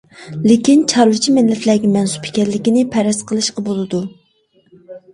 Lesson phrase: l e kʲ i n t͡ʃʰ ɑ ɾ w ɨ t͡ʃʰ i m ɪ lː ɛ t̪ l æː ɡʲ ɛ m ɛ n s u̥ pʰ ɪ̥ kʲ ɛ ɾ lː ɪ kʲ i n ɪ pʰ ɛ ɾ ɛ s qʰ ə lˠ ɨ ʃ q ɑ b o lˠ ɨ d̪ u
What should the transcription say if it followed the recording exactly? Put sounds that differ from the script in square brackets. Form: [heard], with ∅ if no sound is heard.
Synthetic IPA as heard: l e kʲ i n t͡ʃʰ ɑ ɾ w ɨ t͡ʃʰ i m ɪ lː ɛ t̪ l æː ɡʲ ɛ m ɛ n s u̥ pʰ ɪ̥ kʲ ɛ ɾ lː ɪ kʲ i n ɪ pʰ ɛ ɾ ɛ s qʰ ə lˠ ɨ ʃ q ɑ b o lˠ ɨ d̪ u

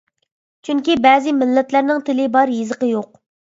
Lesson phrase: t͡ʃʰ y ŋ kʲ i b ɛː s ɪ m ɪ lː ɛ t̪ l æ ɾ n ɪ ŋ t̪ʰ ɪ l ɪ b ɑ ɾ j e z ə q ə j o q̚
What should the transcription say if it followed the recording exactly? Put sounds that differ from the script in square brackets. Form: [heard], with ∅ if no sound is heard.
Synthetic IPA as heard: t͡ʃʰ y ŋ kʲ i b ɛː [z] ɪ m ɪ lː ɛ t̪ l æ ɾ n ɪ ŋ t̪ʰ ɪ l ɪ b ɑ ɾ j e z ə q ə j o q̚

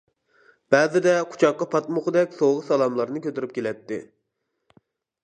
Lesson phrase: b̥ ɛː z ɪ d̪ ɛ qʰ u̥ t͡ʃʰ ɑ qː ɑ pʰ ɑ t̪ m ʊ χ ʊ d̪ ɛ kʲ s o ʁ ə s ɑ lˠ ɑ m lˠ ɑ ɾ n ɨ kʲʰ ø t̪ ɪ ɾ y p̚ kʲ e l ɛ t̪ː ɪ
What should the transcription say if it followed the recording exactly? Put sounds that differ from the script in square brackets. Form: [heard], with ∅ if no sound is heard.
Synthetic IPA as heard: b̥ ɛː z ɪ d̪ ɛ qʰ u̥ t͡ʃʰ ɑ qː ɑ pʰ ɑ t̪ m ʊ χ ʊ d̪ ɛ kʲ s o ʁ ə s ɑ lˠ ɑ m lˠ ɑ ɾ n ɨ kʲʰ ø t̪ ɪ ɾ y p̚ kʲ e l ɛ t̪ː ɪ

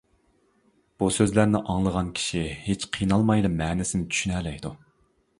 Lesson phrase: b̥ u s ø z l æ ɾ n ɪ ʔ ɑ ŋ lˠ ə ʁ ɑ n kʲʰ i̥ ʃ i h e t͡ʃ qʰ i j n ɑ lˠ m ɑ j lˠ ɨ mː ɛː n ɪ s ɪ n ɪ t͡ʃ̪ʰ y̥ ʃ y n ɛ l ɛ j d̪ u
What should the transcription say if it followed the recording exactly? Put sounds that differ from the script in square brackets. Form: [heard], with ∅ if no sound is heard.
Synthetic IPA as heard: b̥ u s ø z l æ ɾ n ɪ ʔ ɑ ŋ lˠ ə ʁ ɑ n kʲʰ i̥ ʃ i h e t͡ʃ qʰ i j n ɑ lˠ m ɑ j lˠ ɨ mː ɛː n ɪ s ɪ n ɪ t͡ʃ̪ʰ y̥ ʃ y n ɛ l ɛ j d̪ u

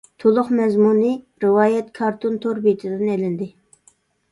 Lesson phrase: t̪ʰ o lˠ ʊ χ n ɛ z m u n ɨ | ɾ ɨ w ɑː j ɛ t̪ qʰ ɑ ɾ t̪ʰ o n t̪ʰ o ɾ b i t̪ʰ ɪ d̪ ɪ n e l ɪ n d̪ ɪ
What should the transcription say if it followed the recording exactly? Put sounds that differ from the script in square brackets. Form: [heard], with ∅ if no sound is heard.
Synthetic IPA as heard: t̪ʰ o lˠ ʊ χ [m] ɛ z m u n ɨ | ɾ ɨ w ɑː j ɛ t̪ [kʰ] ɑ ɾ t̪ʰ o n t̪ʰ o ɾ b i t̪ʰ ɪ d̪ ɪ n e l ɪ n d̪ ɪ

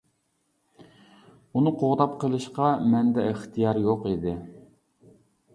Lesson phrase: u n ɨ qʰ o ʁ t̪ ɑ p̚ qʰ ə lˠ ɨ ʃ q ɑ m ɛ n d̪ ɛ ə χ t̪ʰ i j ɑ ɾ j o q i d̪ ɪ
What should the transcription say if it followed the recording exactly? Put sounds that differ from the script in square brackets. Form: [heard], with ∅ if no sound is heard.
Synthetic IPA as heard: u n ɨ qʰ o ʁ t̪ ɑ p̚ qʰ ə lˠ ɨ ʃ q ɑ m ɛ n d̪ ɛ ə χ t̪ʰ i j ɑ ɾ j o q i d̪ ɪ

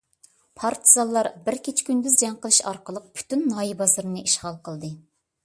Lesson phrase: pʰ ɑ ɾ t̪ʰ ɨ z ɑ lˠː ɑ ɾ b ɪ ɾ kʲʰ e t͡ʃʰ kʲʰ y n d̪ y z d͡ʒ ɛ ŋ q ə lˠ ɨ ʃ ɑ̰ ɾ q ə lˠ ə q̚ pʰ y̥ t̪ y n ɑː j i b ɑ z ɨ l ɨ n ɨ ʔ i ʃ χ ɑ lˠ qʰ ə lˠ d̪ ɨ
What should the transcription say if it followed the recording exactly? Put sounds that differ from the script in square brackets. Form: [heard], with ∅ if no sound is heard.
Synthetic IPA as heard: pʰ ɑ ɾ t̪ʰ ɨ z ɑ lˠː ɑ ɾ b ɪ ɾ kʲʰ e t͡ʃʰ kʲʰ y n d̪ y z d͡ʒ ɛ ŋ q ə lˠ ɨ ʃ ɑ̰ ɾ q ə lˠ ə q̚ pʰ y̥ t̪ y [nː] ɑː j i b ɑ z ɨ [ɾ] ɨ n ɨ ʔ i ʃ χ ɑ lˠ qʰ ə lˠ d̪ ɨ

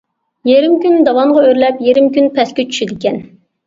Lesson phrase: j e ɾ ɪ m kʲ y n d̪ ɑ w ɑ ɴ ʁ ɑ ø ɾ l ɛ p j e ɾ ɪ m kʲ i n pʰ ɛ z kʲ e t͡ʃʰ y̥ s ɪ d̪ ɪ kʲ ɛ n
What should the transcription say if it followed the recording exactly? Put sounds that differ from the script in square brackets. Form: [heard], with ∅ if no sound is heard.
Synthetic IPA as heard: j e ɾ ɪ m kʲ y n d̪ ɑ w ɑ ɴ ʁ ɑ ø ɾ l ɛ p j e ɾ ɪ m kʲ [y] n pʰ ɛ [s] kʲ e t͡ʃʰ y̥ [ʃ] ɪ d̪ ɪ kʲ ɛ n

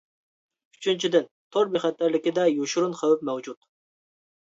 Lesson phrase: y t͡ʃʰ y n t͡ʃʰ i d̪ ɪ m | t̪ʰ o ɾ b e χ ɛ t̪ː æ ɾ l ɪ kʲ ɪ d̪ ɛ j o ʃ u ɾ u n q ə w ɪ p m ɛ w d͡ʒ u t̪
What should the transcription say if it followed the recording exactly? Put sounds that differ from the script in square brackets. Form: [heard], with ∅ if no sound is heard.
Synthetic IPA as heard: y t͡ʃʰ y n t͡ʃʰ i d̪ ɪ [n] | t̪ʰ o ɾ b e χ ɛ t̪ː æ ɾ l ɪ kʲ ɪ d̪ ɛ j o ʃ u ɾ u n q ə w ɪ p m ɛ w d͡ʒ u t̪

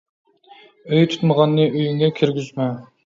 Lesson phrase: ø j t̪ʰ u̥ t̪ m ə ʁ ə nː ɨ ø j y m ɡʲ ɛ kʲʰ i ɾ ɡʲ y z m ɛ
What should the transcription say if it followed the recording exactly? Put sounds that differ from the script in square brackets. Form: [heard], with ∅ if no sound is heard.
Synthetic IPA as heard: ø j t̪ʰ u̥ t̪ m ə ʁ [ɑ] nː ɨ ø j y [ŋ] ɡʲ ɛ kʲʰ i ɾ ɡʲ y z m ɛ

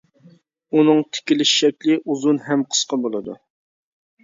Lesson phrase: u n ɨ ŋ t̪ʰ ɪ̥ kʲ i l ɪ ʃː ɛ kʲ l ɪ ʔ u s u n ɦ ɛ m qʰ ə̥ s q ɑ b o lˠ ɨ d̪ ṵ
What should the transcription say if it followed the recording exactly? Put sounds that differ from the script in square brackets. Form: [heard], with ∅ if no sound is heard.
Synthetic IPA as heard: u n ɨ ŋ t̪ʰ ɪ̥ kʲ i l ɪ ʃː ɛ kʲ l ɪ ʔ u [z] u n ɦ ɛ m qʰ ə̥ s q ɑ b o lˠ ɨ d̪ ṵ

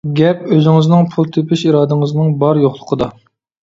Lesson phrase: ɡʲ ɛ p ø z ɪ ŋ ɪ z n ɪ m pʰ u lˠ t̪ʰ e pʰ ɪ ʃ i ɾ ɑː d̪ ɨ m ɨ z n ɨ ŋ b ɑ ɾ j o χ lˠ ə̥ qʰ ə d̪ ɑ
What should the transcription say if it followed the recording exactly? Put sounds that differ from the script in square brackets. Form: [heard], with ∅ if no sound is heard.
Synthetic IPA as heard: ɡʲ ɛ p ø z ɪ ŋ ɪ z n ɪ [ŋ] pʰ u lˠ t̪ʰ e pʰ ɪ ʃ i ɾ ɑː d̪ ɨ [ŋ] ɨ z n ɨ ŋ b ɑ ɾ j o χ lˠ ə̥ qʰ ə d̪ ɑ

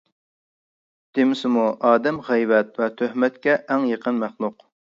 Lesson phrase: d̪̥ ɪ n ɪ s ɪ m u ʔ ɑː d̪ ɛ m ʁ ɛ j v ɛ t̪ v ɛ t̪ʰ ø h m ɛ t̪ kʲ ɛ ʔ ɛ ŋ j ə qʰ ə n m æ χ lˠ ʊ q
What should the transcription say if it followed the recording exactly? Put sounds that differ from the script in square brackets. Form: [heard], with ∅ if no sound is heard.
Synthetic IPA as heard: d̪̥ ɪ [m] ɪ s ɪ m u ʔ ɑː d̪ ɛ m ʁ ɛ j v ɛ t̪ v ɛ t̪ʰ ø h m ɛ t̪ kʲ ɛ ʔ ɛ ŋ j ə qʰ ə n m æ χ lˠ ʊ q

